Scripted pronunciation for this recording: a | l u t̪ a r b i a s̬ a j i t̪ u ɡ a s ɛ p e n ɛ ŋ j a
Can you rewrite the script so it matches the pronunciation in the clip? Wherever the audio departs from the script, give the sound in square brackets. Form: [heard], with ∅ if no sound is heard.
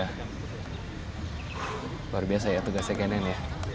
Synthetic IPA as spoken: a | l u [∅] a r b i a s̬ a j [a] t̪ u ɡ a s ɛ [k] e n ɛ [n] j a

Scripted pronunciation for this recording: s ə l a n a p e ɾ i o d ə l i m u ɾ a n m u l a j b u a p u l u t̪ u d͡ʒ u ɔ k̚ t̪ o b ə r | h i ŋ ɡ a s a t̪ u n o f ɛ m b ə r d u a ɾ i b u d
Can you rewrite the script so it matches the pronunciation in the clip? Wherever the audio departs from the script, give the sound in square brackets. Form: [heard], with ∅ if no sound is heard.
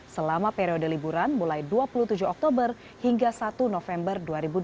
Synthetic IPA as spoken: s ə l a [m] a p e ɾ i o d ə l i [b] u ɾ a n m u l a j [d] u a p u l u t̪ u d͡ʒ u ɔ k̚ t̪ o b ə r | h i ŋ ɡ a s a t̪ u n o f ɛ m b ə r d u a ɾ i b u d

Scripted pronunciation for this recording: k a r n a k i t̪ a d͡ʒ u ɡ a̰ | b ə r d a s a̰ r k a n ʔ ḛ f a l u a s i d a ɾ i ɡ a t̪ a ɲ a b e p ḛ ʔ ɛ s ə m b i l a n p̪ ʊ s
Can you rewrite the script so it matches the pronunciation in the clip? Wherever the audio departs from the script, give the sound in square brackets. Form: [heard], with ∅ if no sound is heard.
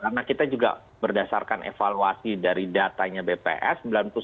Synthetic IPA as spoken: k a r n a k i t̪ a d͡ʒ u ɡ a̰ | b ə r d a s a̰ r k a n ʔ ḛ f a l u a s i d a ɾ i [d] a t̪ a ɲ a b e p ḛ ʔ ɛ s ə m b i l a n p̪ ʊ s

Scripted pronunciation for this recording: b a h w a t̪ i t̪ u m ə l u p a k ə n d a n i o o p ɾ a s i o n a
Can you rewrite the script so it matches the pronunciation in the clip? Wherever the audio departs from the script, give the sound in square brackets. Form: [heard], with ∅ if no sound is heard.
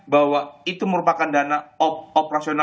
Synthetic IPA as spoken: b a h w a [∅] i t̪ u m ə [ɾ] u p a k [a] n d a n [a] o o p ɾ a s i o n a

